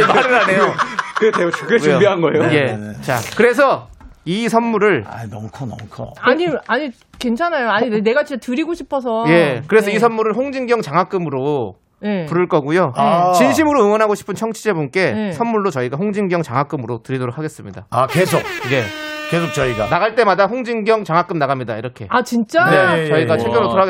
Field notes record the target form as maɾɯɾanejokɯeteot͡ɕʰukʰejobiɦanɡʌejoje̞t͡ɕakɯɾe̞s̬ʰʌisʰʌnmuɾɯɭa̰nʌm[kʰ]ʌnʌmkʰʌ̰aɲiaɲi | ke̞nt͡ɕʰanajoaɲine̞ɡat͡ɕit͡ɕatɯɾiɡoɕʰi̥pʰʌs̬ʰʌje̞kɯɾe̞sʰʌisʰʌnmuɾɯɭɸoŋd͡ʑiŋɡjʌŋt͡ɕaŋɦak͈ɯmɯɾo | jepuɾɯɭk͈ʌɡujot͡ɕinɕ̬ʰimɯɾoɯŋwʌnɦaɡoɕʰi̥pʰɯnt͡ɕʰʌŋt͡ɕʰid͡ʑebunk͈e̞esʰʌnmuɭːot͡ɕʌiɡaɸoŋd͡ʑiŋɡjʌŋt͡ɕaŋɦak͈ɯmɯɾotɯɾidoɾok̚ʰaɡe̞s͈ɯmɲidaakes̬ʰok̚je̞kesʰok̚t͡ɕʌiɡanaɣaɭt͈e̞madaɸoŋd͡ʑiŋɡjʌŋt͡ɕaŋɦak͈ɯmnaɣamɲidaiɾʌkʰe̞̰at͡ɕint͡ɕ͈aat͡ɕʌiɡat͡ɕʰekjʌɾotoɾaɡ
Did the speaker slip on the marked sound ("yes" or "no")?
no